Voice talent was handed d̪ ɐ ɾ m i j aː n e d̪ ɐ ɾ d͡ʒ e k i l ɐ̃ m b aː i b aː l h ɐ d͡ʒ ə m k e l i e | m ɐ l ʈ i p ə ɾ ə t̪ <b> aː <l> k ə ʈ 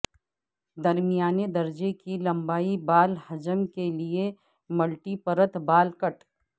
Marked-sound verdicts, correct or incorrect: correct, correct

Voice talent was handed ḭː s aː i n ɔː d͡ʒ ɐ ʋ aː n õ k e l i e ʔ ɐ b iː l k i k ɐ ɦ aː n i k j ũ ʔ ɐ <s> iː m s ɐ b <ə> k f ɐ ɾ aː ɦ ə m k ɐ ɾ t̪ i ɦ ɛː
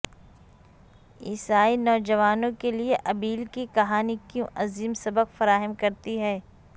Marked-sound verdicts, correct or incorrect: incorrect: z, correct

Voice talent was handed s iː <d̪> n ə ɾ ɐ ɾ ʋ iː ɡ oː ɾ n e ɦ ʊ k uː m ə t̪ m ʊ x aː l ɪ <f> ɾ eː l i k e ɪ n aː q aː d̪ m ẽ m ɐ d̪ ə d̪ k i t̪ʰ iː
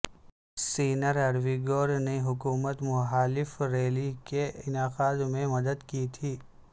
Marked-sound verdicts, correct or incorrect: incorrect: none, correct

